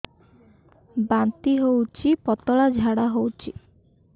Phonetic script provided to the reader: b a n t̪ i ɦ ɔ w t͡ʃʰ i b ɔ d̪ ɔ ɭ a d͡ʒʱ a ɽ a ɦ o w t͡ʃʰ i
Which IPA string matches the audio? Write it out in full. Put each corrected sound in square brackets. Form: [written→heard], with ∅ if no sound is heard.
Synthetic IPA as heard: b a n t̪ i ɦ [ɔ→o] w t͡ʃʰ i [b→p] ɔ [d̪→t̪] ɔ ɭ a d͡ʒʱ a ɽ a ɦ o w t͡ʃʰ i